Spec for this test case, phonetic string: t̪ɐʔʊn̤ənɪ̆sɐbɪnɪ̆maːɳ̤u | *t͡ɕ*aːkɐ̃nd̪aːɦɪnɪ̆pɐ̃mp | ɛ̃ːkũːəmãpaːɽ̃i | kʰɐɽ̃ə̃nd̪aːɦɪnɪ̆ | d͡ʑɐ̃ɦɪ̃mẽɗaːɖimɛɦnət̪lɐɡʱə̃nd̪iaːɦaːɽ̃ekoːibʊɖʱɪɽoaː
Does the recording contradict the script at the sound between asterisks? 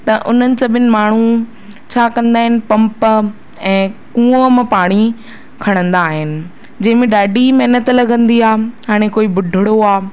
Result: yes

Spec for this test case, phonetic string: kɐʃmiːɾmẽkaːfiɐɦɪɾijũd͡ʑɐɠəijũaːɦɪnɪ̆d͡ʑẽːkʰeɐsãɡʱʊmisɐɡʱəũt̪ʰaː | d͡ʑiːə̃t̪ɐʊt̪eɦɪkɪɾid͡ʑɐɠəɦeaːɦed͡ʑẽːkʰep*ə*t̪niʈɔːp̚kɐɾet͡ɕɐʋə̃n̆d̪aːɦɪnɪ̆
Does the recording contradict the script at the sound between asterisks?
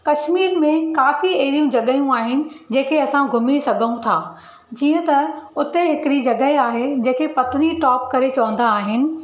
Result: yes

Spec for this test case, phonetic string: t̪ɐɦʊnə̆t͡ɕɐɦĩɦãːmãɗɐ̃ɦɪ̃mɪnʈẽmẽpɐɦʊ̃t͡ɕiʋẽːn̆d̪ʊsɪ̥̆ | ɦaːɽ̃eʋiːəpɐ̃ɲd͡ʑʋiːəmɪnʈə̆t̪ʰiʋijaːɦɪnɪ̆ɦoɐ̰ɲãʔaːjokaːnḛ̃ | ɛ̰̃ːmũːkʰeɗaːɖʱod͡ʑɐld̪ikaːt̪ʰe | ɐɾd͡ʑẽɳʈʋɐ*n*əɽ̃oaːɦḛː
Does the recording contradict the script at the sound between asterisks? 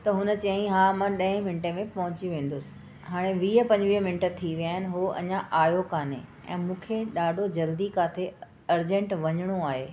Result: yes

